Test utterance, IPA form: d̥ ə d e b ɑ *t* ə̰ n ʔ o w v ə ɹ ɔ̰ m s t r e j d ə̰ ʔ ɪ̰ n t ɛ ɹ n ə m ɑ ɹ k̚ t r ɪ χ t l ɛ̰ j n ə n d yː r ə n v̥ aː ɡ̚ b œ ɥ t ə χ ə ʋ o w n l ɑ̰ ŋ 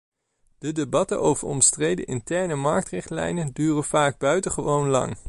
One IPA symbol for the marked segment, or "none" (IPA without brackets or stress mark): t